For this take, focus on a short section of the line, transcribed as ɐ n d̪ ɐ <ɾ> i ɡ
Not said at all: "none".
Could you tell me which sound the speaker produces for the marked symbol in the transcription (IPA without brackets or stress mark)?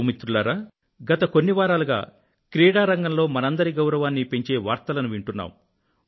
ɾ